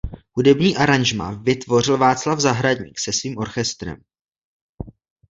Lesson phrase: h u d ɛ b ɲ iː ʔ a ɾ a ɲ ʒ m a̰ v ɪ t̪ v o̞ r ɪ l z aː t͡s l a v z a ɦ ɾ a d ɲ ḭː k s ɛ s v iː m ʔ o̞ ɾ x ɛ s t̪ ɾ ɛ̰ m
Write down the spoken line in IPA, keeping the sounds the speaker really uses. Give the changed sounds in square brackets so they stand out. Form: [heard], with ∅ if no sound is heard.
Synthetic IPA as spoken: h u d ɛ b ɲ iː ʔ a ɾ a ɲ ʒ m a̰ v ɪ t̪ v o̞ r ɪ l [v] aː t͡s l a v z a ɦ ɾ a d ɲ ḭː k s ɛ s v iː m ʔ o̞ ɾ x ɛ s t̪ ɾ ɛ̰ m

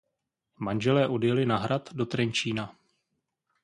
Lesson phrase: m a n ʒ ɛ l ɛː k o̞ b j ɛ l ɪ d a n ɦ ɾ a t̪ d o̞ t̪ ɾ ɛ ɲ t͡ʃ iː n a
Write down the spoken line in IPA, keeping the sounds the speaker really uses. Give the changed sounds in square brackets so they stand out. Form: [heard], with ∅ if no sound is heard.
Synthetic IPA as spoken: m a n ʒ ɛ l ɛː [ʔ] o̞ [d] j ɛ l ɪ [n] a [∅] ɦ ɾ a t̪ d o̞ t̪ ɾ ɛ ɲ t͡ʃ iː n a

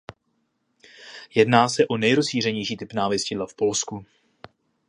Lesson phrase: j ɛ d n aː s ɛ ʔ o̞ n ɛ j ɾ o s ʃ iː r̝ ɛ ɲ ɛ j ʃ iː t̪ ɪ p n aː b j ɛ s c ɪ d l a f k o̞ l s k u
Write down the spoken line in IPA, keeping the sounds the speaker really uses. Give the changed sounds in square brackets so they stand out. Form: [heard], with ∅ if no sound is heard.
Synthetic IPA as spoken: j ɛ d n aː s ɛ ʔ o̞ n ɛ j ɾ o s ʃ iː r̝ ɛ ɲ ɛ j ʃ iː t̪ ɪ p n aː [v] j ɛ s c ɪ d l a f [p] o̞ l s k u

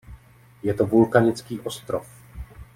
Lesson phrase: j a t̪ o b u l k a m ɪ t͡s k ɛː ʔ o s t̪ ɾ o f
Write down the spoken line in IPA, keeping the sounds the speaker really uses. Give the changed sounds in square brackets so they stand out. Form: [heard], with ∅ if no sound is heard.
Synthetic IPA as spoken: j [ɛ] t̪ o [v] u l k a [ɲ] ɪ t͡s k [iː] ʔ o s t̪ ɾ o f

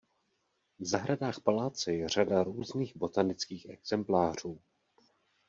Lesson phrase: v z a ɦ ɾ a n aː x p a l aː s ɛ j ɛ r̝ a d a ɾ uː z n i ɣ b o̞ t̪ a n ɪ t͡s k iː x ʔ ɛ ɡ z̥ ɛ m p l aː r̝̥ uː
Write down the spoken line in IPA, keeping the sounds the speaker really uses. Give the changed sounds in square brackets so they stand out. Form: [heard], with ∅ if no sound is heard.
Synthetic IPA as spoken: v z a ɦ ɾ a [d] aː x p a l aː [t͡s] ɛ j ɛ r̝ a d a ɾ uː z n [iː] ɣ b o̞ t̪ a n ɪ t͡s k iː x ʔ ɛ ɡ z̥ ɛ m p l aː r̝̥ uː

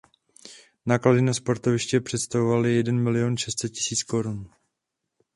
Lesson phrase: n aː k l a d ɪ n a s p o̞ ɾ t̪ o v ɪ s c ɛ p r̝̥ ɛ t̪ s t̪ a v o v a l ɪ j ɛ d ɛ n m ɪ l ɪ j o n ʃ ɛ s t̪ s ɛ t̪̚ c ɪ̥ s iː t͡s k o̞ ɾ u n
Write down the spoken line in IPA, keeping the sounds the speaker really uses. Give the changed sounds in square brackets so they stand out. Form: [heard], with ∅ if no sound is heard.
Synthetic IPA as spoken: n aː k l a d ɪ n a s p o̞ ɾ t̪ o v ɪ [ʃ] c ɛ p r̝̥ ɛ t̪ s t̪ a v o v a l ɪ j ɛ d ɛ n m ɪ l ɪ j o n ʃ ɛ s t̪ s ɛ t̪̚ c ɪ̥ s iː t͡s k o̞ ɾ u n

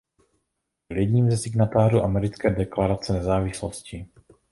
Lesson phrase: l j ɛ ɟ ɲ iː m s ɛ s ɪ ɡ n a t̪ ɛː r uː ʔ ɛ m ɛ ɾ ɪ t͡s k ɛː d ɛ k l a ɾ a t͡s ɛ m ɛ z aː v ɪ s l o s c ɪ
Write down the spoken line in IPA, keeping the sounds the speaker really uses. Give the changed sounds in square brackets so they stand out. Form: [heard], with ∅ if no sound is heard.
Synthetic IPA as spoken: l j ɛ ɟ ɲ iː m [z] ɛ s ɪ ɡ n a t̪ [aː] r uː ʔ [a] m ɛ ɾ ɪ t͡s k ɛː d ɛ k l a ɾ a t͡s ɛ [n] ɛ z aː v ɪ s l o s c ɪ

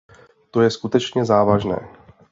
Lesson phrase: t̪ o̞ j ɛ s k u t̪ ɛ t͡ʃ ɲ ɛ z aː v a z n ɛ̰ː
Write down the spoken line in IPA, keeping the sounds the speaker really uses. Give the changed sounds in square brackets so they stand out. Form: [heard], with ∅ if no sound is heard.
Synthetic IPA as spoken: t̪ o̞ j ɛ s k u t̪ ɛ t͡ʃ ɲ ɛ z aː v a [ʒ] n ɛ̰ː

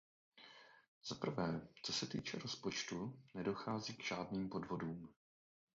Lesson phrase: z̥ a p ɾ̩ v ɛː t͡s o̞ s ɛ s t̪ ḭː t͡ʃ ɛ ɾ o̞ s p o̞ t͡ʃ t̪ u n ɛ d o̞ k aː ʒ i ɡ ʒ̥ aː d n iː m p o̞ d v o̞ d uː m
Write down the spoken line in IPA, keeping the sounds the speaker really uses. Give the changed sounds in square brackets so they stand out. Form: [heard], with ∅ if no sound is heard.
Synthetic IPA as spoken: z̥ a p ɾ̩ v ɛː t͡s o̞ s ɛ [∅] t̪ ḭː t͡ʃ ɛ ɾ o̞ s p o̞ t͡ʃ t̪ u n ɛ d o̞ [x] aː [z] i ɡ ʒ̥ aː d n iː m p o̞ d v o̞ d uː m

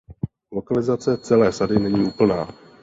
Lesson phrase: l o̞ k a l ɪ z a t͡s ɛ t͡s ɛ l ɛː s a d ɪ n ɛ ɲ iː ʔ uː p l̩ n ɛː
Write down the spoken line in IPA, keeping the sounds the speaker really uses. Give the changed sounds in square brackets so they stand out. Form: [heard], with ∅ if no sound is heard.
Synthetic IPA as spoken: l o̞ k a l ɪ z a t͡s ɛ t͡s ɛ l ɛː s a d ɪ n ɛ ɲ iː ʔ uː p l̩ n [aː]

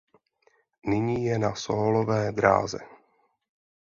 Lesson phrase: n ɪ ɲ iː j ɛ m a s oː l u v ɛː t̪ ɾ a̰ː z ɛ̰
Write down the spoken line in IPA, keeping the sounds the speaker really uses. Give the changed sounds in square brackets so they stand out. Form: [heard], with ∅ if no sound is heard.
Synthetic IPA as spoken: n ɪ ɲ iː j ɛ [n] a s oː l [o] v ɛː [d̪] ɾ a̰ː z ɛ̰

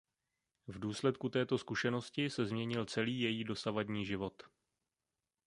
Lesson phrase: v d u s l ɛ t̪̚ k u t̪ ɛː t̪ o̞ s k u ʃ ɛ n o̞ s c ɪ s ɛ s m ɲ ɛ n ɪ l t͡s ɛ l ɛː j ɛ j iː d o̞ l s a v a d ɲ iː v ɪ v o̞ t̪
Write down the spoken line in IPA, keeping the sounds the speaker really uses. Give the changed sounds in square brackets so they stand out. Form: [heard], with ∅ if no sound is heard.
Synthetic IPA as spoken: v d [uː] s l ɛ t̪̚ k u t̪ ɛː t̪ o̞ s k u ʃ ɛ n o̞ s c ɪ s ɛ [z] m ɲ ɛ [ɲ] ɪ l t͡s ɛ l [iː] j ɛ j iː d o̞ [∅] s a v a d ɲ iː [ʒ] ɪ v o̞ t̪

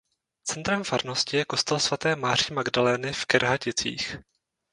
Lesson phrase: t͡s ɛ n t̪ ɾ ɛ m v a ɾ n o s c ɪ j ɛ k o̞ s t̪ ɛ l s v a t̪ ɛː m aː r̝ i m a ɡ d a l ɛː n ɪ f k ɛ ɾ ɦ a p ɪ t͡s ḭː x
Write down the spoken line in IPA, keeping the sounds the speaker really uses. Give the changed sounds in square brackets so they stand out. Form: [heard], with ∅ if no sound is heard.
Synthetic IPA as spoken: t͡s ɛ n t̪ ɾ ɛ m [f] a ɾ n o s c ɪ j ɛ k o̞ s t̪ ɛ l s v a t̪ ɛː m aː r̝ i m a ɡ d a l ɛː n ɪ f k ɛ ɾ ɦ a [c] ɪ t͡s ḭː x

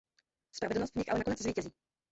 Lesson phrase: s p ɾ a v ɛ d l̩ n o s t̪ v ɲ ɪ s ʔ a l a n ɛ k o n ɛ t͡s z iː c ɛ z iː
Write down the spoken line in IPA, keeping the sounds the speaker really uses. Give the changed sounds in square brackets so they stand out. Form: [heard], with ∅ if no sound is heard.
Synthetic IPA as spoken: s p ɾ a v ɛ d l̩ n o s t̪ v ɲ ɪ [x] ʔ a l [ɛ] n [a] k o n ɛ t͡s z iː c ɛ z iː

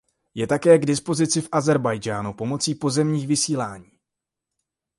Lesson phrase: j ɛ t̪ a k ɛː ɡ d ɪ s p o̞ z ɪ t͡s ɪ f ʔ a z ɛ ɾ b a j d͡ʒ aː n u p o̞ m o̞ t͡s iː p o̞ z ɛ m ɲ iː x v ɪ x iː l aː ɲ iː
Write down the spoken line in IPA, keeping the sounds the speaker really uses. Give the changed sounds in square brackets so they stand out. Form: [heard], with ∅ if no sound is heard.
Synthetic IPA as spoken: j ɛ t̪ a k ɛː ɡ d ɪ s p o̞ z ɪ t͡s ɪ f ʔ a z ɛ ɾ b a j d͡ʒ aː n u p o̞ m o̞ t͡s iː p o̞ z ɛ m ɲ iː x v ɪ [s] iː l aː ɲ iː

